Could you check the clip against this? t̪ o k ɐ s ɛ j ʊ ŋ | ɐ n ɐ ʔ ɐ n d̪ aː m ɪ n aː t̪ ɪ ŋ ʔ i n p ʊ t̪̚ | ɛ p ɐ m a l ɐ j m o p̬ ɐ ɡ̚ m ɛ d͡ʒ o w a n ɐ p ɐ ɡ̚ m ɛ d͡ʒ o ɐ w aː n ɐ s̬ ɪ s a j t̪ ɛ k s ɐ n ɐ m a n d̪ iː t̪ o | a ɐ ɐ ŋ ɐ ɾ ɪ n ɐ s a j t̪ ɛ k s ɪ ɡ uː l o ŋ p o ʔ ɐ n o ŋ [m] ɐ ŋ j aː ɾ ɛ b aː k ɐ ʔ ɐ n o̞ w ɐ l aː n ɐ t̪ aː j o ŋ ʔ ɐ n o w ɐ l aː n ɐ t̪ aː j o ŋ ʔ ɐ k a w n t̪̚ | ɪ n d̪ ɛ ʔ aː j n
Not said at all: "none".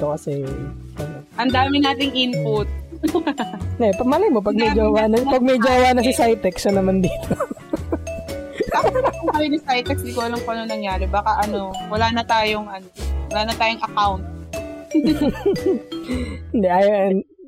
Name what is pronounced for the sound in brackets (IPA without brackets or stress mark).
n